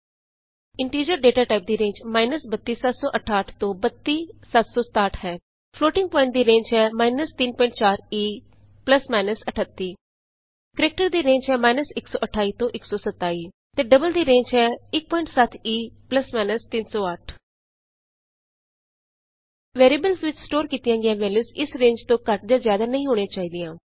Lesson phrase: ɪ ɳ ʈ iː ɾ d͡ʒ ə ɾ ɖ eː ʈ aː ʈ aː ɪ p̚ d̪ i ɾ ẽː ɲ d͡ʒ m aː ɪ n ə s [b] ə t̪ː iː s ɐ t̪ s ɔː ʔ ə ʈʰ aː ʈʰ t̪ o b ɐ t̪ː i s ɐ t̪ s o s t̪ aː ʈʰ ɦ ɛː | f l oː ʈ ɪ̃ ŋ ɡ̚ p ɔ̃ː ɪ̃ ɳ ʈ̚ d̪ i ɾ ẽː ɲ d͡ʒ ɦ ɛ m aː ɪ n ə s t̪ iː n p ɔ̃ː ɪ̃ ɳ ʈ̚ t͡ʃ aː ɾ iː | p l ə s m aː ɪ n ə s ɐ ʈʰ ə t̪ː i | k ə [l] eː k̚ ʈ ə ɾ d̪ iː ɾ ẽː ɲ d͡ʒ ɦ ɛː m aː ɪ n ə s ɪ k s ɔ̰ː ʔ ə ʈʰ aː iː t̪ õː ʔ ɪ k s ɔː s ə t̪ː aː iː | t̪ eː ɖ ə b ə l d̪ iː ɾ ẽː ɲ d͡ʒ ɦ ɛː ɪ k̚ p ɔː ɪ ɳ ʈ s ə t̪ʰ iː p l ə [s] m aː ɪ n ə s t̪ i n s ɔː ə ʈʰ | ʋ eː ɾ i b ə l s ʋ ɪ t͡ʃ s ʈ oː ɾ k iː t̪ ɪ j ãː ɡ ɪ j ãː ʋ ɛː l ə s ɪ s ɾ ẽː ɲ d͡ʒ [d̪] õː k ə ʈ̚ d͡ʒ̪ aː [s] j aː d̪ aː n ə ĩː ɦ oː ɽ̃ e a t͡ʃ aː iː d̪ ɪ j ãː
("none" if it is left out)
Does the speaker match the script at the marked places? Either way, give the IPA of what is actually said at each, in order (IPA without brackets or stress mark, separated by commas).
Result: b, ɾ, s, t̪, z